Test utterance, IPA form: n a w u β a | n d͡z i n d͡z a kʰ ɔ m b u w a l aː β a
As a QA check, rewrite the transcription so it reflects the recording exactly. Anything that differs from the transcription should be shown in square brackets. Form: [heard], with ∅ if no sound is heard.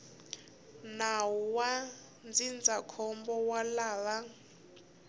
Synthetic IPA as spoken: n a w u [w] a | n d͡z i n d͡z a kʰ ɔ m b [ɔ] w a l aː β a